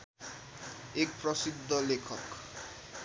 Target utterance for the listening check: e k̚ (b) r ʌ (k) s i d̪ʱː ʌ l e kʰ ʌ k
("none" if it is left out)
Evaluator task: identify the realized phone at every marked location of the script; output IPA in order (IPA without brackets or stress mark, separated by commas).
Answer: p, none